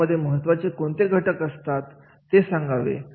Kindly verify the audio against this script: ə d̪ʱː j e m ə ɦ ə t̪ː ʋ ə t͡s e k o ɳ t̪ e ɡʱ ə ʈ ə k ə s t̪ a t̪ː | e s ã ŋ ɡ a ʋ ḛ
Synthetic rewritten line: ə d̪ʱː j e m ə ɦ ə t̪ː ʋ a t͡s e k o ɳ t̪ e ɡʱ ə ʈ ə k ə s t̪ a t̪ː | e s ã ŋ ɡ a ʋ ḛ